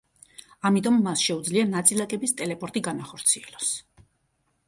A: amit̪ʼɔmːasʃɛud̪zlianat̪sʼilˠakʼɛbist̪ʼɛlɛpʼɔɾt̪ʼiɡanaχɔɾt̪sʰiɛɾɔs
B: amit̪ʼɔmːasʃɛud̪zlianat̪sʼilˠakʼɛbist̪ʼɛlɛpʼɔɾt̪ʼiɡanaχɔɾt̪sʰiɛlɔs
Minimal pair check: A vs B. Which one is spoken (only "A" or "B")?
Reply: B